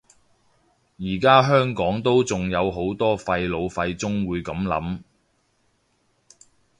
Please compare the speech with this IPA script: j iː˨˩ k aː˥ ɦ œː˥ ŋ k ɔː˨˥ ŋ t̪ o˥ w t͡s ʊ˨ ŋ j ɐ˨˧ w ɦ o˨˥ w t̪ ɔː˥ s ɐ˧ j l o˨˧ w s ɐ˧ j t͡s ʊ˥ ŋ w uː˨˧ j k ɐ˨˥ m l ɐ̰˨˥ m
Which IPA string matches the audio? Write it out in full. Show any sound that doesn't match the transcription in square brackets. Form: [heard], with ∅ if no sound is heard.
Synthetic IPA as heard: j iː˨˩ k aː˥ ɦ œː˥ ŋ k ɔː˨˥ ŋ t̪ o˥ w t͡s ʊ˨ ŋ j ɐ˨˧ w ɦ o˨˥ w t̪ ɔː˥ [f] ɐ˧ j l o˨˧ w [f] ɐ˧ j t͡s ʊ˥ ŋ w uː˨˧ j k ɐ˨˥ m l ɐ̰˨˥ m